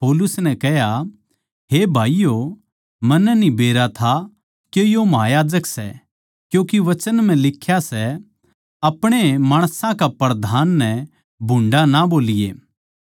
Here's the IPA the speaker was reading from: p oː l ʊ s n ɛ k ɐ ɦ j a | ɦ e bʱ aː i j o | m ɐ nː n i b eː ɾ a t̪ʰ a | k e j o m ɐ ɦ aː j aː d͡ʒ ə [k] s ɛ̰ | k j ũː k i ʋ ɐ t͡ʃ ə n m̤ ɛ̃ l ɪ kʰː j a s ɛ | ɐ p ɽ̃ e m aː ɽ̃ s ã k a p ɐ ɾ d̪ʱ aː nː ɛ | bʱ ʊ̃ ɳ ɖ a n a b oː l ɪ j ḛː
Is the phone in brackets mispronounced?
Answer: no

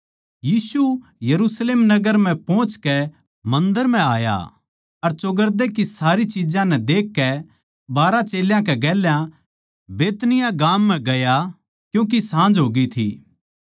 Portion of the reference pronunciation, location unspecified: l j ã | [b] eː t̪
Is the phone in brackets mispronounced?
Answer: no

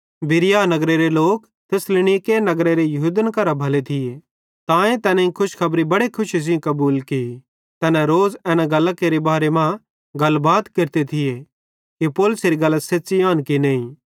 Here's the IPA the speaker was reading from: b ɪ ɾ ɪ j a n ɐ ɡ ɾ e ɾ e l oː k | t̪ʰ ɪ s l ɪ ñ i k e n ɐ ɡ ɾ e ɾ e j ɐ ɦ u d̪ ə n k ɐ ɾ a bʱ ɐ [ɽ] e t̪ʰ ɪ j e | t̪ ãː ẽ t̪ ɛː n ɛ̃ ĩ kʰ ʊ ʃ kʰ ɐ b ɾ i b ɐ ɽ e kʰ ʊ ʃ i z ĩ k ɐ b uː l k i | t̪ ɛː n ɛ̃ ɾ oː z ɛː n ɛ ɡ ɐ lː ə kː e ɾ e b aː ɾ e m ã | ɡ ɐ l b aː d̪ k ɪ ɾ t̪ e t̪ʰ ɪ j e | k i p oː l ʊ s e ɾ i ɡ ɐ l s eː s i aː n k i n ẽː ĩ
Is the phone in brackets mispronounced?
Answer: yes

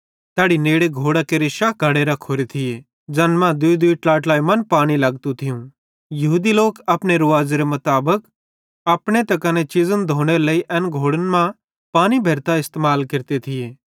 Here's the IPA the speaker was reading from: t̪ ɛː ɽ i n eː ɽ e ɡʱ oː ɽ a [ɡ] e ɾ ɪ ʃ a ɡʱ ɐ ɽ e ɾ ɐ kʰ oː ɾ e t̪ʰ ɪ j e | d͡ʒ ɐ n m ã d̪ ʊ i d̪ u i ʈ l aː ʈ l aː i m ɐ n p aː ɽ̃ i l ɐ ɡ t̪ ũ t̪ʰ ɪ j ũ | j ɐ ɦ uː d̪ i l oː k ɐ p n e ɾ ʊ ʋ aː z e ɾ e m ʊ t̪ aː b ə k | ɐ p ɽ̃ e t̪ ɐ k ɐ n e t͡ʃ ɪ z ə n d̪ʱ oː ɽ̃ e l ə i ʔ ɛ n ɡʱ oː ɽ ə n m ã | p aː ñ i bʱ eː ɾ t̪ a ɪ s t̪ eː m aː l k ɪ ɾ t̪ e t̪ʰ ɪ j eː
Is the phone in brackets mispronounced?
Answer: yes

